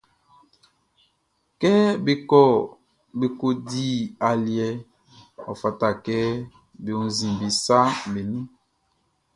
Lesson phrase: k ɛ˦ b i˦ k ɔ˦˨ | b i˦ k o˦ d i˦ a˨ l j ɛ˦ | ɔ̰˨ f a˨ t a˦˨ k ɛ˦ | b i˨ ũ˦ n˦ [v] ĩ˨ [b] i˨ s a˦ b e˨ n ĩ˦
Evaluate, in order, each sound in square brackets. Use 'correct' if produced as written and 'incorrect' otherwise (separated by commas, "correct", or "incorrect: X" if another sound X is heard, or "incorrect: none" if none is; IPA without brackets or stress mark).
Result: incorrect: z, correct